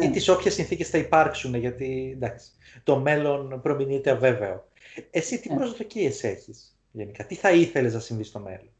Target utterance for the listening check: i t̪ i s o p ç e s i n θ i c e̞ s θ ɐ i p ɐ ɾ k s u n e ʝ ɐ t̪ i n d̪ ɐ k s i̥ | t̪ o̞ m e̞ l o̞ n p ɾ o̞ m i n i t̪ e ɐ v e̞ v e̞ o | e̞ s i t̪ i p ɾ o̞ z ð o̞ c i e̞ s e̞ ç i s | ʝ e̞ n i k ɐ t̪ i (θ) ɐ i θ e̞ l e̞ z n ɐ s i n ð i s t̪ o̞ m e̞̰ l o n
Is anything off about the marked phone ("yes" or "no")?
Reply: no